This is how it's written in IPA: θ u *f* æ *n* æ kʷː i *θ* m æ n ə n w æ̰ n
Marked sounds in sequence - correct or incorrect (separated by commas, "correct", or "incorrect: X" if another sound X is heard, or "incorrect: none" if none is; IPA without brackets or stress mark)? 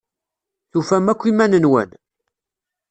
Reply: correct, incorrect: m, incorrect: none